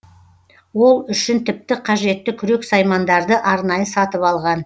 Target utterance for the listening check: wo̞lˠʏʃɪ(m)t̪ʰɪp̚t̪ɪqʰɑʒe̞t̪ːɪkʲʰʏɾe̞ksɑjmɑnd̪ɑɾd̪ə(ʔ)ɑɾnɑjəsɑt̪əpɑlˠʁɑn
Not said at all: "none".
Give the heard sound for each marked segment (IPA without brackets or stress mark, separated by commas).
n, ʔ